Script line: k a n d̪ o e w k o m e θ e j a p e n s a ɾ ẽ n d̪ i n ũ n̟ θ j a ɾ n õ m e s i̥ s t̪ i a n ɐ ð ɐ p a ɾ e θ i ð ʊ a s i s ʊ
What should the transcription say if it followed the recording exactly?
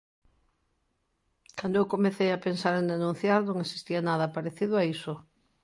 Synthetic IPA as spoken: k a n d̪ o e w k o m e θ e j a p e n s a ɾ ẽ n d̪ e n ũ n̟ θ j a ɾ n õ ŋ e s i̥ s t̪ i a n a ð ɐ p a ɾ e θ i ð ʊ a i s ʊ